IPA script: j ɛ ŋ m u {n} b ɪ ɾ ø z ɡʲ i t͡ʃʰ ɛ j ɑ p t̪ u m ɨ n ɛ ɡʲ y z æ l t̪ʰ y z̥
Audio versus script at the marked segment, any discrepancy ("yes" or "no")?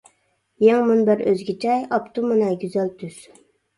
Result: no